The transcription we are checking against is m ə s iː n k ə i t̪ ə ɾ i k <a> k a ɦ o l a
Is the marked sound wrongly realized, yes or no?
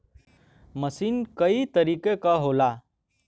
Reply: yes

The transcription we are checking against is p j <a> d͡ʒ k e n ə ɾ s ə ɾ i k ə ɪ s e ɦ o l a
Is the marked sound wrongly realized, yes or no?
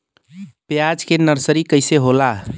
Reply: no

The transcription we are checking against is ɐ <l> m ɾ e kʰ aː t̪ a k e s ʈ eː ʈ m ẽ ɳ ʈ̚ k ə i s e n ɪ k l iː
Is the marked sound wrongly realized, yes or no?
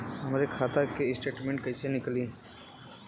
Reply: yes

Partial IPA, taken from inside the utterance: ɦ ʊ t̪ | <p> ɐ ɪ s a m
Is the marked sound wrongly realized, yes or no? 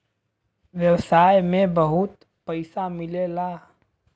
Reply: no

